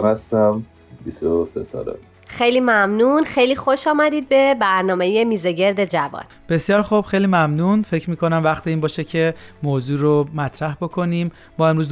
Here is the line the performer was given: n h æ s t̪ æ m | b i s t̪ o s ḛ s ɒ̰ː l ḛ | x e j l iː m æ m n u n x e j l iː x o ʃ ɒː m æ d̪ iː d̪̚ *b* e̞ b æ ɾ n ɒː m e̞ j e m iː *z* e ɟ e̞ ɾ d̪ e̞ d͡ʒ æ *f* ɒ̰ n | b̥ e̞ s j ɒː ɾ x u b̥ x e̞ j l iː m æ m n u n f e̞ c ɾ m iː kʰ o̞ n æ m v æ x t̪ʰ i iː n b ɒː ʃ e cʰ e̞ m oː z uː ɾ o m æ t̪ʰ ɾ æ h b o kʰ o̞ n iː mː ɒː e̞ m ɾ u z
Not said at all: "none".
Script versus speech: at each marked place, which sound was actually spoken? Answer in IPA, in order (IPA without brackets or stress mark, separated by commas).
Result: b, z, v